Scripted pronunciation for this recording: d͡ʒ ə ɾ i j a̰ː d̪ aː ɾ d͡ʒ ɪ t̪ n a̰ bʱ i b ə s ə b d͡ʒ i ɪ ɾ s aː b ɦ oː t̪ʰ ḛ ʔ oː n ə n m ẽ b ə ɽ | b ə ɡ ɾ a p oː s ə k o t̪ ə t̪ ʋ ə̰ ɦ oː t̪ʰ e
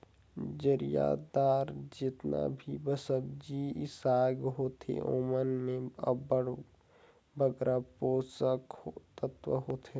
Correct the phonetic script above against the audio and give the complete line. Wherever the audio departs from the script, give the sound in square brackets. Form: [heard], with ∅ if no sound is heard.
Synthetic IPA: d͡ʒ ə ɾ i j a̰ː d̪ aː ɾ d͡ʒ ɪ t̪ n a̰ bʱ i b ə s ə b d͡ʒ i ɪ [∅] s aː [ɡ] ɦ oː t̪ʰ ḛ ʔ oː [m] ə n m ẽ b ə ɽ | b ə ɡ ɾ a p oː s ə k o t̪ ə t̪ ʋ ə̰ ɦ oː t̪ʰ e